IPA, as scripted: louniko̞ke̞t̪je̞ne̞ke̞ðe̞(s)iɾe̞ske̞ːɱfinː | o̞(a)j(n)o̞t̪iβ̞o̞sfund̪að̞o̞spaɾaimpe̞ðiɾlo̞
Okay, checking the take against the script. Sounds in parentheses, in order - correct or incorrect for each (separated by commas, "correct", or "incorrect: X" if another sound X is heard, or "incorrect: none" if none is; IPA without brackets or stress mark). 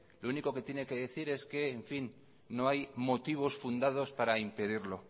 incorrect: θ, correct, incorrect: m